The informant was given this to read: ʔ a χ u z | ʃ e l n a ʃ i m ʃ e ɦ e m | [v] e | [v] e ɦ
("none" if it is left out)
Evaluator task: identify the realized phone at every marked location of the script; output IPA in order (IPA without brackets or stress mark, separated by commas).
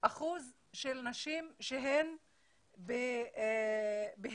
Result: b, b